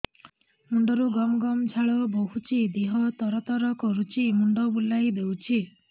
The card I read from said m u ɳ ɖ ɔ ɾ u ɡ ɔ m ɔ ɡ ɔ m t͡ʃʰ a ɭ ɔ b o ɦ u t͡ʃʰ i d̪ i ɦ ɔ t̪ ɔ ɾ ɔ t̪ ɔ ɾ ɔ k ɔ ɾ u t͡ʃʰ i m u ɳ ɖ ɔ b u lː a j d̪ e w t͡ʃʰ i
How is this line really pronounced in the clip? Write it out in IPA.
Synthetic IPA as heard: m u ɳ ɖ ɔ ɾ u ɡ ɔ m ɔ ɡ ɔ m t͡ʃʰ a ɭ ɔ b o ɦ u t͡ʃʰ i d̪ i ɦ ɔ t̪ ɔ ɾ ɔ t̪ ɔ ɾ ɔ k ɔ ɾ u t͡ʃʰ i m u ɳ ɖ ɔ b u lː a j d̪ e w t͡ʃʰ i